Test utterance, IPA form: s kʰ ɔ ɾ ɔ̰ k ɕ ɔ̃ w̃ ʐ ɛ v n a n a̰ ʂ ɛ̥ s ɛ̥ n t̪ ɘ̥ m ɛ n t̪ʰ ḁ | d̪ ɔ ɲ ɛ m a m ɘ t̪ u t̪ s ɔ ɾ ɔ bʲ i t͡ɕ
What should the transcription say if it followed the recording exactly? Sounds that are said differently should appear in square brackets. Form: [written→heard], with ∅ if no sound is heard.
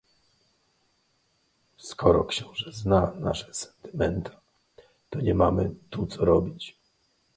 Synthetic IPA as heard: s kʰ ɔ ɾ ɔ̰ k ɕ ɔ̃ w̃ ʐ ɛ [v→z] n a n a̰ ʂ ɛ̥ s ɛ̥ n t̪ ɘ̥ m ɛ n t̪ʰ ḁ | [d̪→t̪] ɔ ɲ ɛ m a m ɘ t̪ u t̪ s ɔ ɾ ɔ bʲ i t͡ɕ